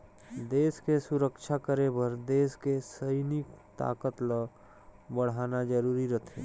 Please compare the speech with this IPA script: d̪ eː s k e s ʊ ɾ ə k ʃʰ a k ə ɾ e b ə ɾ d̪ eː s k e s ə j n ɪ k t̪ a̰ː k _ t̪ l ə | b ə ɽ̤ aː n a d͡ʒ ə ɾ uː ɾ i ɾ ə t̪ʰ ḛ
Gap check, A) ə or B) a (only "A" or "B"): A